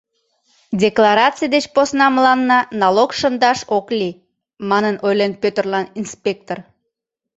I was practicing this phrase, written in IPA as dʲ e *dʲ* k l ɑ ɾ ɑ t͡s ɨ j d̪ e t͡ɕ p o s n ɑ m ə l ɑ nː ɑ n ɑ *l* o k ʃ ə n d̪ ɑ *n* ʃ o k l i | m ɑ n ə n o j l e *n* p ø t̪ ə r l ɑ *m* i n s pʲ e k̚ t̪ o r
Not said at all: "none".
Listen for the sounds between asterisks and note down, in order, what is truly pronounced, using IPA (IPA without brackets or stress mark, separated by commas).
none, l, none, n, n